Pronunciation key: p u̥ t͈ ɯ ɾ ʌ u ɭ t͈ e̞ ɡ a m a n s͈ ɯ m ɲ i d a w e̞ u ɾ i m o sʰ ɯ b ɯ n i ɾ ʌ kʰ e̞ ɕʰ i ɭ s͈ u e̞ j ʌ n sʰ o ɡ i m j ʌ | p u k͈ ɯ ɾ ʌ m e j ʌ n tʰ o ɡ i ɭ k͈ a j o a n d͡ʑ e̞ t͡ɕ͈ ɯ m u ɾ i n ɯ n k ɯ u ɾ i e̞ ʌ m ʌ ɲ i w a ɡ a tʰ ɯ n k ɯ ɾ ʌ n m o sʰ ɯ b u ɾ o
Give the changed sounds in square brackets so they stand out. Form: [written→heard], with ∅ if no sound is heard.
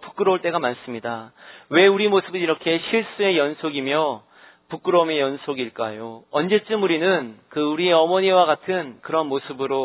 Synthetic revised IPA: p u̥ [t͈→k͈] ɯ ɾ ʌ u ɭ t͈ e̞ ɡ a m a n s͈ ɯ m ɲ i d a w e̞ u ɾ i m o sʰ ɯ b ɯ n i ɾ ʌ kʰ e̞ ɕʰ i ɭ s͈ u e̞ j ʌ n sʰ o ɡ i m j ʌ | p u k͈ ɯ ɾ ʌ m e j ʌ n [tʰ→sʰ] o ɡ i ɭ k͈ a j o [a→ʌ] n d͡ʑ e̞ t͡ɕ͈ ɯ m u ɾ i n ɯ n k ɯ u ɾ i e̞ ʌ m ʌ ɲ i w a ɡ a tʰ ɯ n k ɯ ɾ ʌ n m o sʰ ɯ b [u→ɯ] ɾ o